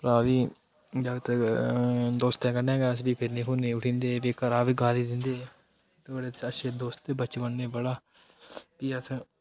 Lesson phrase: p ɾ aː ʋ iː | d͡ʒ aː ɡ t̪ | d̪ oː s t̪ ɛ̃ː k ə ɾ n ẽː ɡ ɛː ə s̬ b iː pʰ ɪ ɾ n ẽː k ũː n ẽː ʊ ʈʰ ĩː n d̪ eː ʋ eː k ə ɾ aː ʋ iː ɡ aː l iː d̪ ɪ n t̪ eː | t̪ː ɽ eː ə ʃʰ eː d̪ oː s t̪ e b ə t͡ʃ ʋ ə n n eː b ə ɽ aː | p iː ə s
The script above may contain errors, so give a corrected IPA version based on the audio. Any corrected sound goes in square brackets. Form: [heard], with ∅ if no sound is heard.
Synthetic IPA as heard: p ɾ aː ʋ iː | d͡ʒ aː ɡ t̪ | d̪ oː s t̪ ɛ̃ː k ə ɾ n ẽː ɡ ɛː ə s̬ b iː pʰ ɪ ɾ n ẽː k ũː n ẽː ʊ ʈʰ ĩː n d̪ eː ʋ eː k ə ɾ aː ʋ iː ɡ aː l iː d̪ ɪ n [d̪] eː | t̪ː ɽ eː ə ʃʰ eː d̪ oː s t̪ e b ə t͡ʃ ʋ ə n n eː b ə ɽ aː | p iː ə s